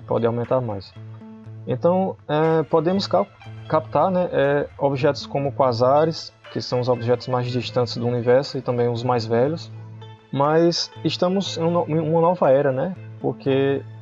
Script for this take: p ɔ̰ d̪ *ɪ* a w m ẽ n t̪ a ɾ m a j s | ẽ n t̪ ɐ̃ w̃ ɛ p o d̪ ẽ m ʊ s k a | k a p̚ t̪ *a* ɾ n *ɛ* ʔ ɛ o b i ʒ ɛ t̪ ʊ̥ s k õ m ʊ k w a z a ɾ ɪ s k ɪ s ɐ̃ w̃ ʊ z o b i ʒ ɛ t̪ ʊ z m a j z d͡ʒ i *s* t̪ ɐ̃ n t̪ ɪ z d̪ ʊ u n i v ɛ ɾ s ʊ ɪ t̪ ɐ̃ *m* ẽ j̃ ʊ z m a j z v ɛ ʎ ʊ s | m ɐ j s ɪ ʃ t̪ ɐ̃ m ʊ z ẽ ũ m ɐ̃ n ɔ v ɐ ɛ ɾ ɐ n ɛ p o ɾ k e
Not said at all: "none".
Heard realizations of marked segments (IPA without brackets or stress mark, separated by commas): ɪ, a, ɛ, ʃ, b